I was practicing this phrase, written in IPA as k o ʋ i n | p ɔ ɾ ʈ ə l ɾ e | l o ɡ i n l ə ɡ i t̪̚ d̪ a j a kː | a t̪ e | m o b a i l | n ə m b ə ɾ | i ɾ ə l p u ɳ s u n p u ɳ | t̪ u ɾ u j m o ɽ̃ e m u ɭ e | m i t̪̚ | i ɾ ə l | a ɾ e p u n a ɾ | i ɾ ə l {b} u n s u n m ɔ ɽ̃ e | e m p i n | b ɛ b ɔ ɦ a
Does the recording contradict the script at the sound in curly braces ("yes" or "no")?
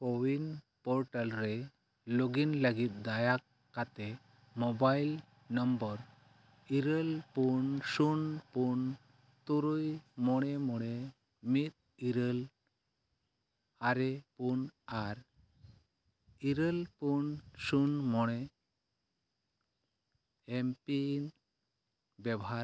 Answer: yes